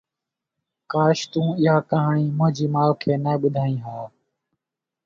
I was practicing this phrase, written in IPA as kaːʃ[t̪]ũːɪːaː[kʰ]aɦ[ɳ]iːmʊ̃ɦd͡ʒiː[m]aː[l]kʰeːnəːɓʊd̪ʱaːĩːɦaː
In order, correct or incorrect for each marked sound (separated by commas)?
correct, incorrect, correct, correct, correct